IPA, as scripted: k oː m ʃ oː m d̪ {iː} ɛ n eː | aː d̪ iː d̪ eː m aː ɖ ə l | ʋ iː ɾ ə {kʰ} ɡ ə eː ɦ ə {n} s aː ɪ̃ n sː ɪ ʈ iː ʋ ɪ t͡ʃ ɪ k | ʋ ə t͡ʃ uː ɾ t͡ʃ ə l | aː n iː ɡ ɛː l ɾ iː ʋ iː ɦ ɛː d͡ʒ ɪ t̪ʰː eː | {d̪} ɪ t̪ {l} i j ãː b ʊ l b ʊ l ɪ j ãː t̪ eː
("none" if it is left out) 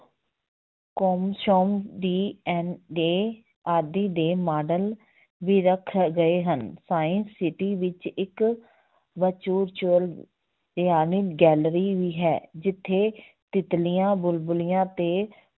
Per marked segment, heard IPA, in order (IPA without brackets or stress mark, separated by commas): iː, kʰ, n, t̪, l